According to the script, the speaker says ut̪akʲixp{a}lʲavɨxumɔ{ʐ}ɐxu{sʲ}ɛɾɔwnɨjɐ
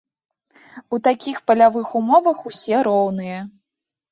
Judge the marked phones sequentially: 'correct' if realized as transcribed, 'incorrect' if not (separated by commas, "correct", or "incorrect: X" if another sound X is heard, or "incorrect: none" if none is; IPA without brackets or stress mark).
incorrect: ɐ, incorrect: v, correct